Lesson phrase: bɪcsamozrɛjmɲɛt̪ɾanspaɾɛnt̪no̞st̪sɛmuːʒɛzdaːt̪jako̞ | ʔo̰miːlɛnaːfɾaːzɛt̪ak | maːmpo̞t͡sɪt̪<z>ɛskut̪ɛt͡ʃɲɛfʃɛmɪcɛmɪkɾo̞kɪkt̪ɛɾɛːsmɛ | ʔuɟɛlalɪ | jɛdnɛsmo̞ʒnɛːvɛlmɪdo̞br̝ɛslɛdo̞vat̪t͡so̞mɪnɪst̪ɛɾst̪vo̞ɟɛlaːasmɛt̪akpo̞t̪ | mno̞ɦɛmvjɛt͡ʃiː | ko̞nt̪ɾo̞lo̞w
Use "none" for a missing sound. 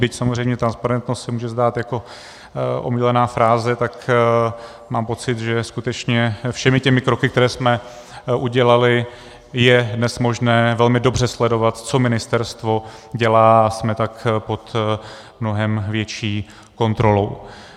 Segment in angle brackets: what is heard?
ʒ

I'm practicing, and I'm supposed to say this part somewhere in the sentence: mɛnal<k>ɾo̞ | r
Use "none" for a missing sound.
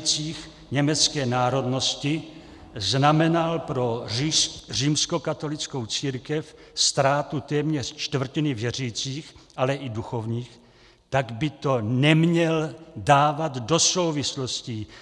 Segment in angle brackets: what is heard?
p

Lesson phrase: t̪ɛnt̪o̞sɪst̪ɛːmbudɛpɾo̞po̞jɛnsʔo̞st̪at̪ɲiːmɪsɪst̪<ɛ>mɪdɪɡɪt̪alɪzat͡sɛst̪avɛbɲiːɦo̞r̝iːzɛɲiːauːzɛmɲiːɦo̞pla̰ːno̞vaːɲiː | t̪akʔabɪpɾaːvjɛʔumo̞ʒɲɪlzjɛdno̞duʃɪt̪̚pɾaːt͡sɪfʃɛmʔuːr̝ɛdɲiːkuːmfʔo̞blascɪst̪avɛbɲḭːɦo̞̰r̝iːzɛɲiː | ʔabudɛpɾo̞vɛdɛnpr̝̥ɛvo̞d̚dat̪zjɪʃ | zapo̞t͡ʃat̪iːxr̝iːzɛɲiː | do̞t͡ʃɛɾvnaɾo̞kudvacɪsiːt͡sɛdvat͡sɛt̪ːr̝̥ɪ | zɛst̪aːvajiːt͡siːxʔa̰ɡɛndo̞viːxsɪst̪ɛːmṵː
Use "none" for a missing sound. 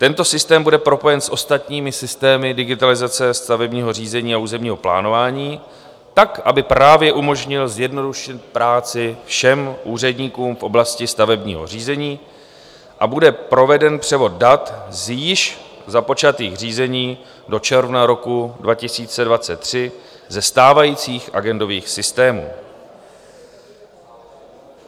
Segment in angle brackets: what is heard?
ɛː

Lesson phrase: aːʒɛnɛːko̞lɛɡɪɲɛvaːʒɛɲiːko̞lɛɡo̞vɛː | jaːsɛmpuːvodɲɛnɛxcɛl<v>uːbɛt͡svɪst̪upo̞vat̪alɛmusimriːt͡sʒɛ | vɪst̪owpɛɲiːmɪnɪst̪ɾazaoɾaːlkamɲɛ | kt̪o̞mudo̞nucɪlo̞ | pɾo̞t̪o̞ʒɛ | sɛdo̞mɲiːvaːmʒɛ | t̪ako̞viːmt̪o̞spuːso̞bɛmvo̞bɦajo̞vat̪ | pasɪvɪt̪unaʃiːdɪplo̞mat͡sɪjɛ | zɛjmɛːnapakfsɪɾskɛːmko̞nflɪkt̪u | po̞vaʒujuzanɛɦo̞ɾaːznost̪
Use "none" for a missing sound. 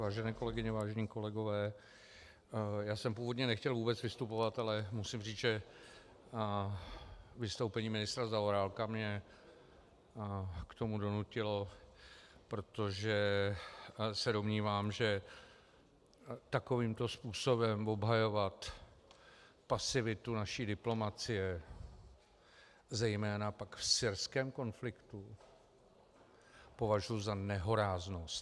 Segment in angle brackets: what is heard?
v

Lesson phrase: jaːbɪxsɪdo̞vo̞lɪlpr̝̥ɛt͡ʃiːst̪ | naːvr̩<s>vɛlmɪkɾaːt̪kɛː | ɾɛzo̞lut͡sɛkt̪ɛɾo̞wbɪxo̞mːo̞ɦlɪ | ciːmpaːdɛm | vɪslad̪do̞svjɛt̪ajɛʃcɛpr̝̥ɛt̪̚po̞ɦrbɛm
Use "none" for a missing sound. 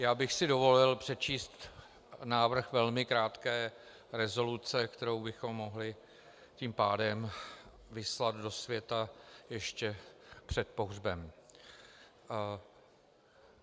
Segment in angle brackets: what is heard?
x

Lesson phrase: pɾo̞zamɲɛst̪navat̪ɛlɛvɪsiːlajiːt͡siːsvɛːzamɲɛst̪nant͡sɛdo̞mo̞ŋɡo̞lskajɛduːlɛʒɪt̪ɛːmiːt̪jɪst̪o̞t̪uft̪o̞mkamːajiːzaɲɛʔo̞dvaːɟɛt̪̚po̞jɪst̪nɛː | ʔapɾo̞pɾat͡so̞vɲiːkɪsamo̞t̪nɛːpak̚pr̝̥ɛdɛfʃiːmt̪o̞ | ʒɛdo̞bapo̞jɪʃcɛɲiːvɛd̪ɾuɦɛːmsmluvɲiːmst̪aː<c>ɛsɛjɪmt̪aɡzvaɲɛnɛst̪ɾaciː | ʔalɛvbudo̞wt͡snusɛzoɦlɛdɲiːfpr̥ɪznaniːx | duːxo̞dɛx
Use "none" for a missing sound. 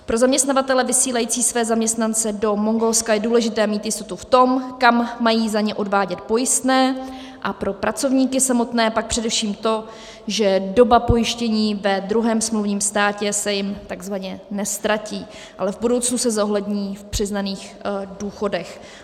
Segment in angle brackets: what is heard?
c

